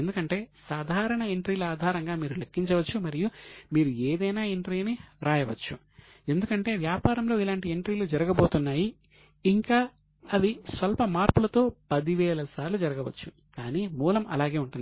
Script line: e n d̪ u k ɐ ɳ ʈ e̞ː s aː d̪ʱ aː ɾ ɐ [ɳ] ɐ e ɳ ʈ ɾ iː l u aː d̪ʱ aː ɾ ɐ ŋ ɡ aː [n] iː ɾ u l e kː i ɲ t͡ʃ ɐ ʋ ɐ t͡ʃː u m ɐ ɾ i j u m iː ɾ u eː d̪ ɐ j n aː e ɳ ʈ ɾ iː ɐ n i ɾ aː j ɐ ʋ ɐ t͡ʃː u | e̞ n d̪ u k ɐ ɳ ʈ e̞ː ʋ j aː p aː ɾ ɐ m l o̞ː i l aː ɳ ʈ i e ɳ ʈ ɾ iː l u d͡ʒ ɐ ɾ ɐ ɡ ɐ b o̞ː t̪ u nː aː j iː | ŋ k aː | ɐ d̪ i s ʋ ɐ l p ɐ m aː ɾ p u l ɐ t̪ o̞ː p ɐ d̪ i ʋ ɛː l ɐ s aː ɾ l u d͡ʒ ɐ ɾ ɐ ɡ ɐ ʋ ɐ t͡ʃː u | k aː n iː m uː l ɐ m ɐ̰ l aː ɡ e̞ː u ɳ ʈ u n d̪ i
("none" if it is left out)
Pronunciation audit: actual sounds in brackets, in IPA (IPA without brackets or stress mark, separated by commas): ɳ, m